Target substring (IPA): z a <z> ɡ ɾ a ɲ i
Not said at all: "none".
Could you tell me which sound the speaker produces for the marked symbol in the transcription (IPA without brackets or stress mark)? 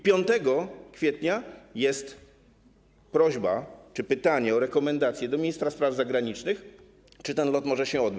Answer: none